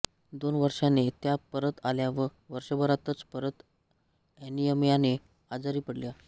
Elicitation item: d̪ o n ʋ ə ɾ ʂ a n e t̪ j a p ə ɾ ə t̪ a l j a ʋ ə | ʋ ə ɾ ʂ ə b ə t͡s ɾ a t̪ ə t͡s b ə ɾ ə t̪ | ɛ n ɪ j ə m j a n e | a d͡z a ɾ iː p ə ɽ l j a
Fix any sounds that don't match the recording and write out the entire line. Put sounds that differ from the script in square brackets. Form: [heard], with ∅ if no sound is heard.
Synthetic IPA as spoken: d̪ o n ʋ ə ɾ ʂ a n e t̪ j a p ə ɾ ə t̪ a l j a ʋ ə | ʋ ə ɾ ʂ ə b ə [∅] ɾ a t̪ ə t͡s [p] ə ɾ ə t̪ | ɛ n [i] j ə m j a n e | a d͡z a ɾ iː p ə ɽ l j a